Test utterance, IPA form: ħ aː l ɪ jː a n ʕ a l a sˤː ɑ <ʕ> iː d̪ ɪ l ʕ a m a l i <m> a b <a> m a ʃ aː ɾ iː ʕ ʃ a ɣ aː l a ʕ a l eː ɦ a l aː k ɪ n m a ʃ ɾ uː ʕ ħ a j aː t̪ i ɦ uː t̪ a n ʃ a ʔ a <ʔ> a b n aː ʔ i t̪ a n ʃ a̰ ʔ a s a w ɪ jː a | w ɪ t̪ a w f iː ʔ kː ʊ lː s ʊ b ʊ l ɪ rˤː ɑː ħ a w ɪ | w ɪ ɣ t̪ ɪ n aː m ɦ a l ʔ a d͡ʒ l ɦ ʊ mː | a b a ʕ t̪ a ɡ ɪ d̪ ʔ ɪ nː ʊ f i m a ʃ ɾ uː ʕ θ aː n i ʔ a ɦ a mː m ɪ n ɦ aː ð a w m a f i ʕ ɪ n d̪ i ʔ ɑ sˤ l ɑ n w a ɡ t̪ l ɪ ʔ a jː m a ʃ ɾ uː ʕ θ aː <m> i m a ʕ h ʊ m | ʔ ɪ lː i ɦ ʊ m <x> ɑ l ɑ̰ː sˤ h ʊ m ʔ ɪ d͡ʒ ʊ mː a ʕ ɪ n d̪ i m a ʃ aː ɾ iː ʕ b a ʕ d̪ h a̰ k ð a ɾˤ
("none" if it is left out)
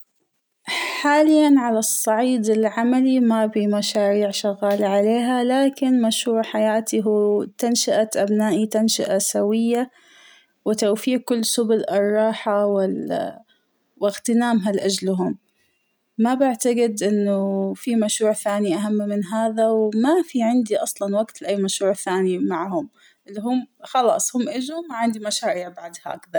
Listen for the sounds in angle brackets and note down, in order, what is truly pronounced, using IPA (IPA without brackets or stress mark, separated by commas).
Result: ʕ, m, i, ʔ, n, x